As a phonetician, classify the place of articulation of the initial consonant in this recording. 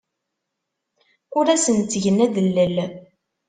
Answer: alveolar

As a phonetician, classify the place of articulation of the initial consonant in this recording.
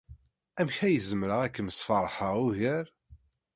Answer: labial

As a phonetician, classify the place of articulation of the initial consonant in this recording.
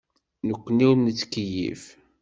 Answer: alveolar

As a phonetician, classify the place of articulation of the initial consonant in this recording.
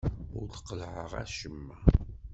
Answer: alveolar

